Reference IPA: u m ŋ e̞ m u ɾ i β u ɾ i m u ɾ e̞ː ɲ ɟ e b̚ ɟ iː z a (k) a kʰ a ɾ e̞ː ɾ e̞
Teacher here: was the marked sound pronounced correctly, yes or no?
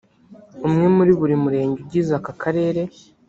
yes